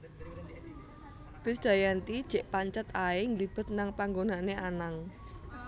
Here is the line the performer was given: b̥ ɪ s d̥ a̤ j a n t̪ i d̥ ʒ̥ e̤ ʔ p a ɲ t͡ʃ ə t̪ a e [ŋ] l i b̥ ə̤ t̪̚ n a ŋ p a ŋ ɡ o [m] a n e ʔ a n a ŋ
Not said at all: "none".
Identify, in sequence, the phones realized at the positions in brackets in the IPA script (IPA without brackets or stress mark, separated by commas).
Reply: ŋ, n